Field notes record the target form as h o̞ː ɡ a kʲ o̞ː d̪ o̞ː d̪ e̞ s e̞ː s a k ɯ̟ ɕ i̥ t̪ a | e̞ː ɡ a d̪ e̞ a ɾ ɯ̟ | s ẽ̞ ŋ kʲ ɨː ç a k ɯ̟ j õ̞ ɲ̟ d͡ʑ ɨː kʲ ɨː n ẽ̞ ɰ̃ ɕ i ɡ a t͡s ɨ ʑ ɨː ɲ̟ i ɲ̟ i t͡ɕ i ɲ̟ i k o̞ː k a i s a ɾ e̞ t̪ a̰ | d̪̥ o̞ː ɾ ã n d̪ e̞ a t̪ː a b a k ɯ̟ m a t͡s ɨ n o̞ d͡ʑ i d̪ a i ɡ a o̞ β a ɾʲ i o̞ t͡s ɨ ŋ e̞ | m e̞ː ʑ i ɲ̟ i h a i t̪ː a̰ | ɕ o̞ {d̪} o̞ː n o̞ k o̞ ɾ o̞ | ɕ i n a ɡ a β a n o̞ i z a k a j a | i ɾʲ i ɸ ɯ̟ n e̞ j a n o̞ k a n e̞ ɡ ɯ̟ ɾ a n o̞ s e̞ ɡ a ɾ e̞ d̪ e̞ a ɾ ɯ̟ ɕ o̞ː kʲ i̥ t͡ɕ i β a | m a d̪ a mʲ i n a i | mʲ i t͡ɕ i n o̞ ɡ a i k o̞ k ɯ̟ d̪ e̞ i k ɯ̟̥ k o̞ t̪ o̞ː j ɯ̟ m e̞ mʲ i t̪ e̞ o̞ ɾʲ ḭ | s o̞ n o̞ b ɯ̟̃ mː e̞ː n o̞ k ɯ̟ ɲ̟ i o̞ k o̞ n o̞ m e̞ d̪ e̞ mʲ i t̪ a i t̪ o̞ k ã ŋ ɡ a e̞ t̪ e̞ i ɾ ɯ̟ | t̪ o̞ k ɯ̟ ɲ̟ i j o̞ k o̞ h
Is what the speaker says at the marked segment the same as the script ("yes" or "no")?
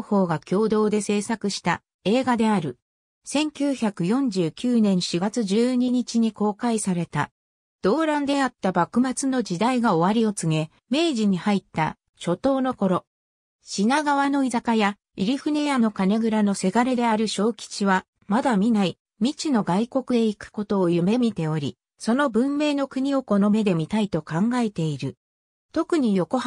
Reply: no